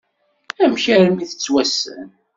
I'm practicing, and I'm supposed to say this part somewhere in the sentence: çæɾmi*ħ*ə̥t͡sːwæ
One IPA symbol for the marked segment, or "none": θ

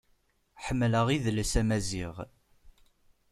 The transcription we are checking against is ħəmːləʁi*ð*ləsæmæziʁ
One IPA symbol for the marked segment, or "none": ð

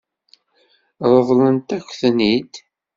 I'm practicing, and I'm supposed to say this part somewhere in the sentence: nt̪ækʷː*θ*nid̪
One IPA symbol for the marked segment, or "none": θ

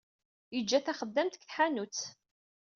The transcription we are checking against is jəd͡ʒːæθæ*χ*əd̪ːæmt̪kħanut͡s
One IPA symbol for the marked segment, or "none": χ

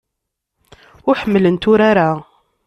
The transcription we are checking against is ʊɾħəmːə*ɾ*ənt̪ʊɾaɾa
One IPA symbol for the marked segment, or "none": l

